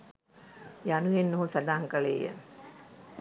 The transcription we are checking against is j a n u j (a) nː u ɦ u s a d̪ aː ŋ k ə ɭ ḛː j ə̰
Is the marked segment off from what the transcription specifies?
yes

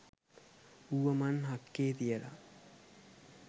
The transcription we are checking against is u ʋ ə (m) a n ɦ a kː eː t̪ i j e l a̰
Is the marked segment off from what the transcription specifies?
no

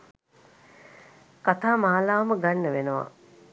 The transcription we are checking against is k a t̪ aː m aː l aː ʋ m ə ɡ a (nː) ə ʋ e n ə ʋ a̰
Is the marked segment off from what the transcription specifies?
no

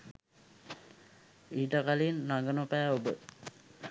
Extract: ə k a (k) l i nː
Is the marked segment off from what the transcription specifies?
yes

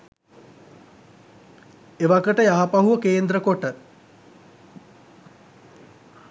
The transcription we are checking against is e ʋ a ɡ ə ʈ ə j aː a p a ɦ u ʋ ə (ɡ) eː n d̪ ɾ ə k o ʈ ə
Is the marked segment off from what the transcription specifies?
yes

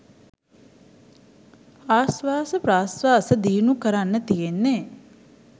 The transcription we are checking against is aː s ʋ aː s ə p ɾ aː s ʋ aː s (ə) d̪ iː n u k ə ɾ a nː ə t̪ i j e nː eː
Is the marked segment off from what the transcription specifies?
no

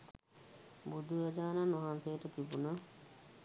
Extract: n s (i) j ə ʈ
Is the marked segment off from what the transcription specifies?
yes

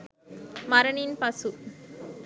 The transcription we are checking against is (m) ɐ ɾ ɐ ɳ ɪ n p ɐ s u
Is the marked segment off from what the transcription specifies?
no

